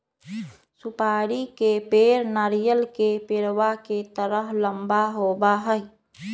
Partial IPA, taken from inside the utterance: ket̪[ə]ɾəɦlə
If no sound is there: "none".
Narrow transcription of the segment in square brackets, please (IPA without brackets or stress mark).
ə